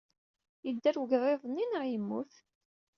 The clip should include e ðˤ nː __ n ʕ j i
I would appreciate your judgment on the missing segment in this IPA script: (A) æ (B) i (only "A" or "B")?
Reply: B